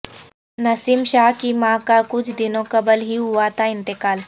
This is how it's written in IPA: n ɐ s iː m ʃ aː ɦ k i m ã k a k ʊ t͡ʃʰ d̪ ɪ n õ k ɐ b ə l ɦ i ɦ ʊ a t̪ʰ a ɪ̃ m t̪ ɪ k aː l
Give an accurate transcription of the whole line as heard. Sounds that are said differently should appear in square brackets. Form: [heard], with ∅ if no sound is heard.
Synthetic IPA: n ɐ s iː m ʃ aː ɦ k i m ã k a k ʊ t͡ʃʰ d̪ ɪ n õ k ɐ b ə l ɦ i ɦ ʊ a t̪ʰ a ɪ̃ [n] t̪ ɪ k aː l